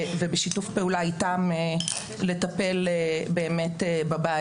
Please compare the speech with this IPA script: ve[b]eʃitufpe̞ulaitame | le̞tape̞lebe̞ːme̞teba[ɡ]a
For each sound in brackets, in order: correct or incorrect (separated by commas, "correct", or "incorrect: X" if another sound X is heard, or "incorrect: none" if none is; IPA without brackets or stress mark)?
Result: correct, incorrect: b